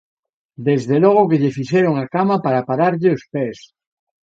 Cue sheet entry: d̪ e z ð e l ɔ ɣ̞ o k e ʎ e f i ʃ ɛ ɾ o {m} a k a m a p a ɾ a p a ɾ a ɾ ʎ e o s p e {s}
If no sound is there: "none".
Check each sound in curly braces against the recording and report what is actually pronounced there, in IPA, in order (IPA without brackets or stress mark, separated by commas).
ŋ, s